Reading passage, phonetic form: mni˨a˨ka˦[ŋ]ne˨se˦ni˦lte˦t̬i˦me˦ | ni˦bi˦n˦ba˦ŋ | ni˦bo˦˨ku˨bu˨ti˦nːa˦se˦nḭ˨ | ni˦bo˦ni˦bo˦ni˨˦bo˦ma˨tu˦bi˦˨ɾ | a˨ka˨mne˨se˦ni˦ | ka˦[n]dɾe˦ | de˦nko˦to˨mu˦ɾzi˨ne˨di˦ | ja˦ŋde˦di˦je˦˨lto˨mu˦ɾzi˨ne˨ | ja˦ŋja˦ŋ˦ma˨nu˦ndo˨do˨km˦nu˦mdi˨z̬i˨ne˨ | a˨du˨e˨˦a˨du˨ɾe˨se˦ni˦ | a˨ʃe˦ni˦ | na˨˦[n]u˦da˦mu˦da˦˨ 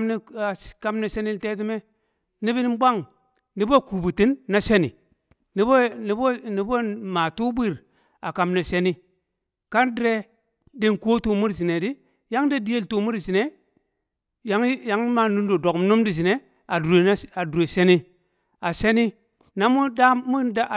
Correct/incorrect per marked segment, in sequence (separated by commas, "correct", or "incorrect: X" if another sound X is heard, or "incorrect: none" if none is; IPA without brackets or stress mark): incorrect: m, correct, incorrect: m